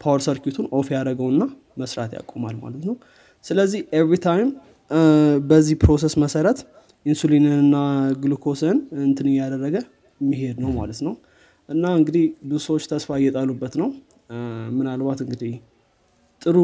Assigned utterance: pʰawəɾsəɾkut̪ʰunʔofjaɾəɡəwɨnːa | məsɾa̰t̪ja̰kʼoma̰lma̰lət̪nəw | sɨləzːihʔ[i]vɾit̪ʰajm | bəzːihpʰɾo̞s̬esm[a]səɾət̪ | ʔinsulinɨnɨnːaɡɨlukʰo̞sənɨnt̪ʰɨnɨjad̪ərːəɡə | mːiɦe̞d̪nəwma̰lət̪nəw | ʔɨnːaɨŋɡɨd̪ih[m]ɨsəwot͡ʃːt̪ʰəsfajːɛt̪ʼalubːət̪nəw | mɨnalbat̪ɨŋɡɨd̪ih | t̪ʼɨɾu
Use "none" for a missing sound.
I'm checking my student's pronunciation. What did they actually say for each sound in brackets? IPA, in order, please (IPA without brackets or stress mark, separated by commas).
e, ə, b